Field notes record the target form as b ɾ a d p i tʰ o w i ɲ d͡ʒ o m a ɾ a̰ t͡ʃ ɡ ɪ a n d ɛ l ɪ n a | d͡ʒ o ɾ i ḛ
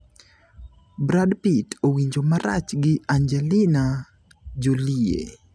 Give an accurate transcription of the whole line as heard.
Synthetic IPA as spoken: b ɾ a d p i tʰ o w i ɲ d͡ʒ o m a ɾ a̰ t͡ʃ ɡ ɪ a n d͡ʒ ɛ l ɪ n a | d͡ʒ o l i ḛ